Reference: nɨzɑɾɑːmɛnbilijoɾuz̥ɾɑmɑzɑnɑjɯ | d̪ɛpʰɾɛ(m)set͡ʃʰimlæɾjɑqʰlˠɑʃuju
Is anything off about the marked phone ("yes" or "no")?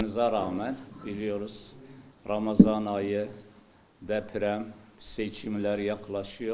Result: no